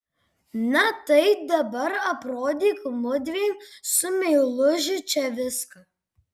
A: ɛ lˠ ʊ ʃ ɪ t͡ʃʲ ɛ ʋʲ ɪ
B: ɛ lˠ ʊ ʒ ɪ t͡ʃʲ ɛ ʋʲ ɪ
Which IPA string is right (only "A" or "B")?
B